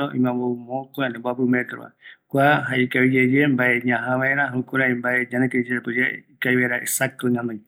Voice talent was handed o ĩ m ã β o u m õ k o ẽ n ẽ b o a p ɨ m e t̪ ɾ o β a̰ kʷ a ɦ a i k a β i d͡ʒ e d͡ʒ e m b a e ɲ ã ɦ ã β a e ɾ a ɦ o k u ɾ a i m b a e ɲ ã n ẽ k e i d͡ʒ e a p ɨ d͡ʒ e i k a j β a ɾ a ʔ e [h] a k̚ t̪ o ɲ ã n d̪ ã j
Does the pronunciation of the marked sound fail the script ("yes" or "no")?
yes